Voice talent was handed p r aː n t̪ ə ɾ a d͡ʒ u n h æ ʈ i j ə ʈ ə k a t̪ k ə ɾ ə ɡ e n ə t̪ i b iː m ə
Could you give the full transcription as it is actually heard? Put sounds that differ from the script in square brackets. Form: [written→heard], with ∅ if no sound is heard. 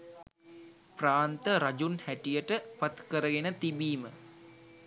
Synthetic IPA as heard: p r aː n t̪ ə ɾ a d͡ʒ u n h æ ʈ i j ə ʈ ə [k→p] a t̪ k ə ɾ ə ɡ e n ə t̪ i b iː m ə